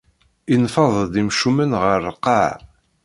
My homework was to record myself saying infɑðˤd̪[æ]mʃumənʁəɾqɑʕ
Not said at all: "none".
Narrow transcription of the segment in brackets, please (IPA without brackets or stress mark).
i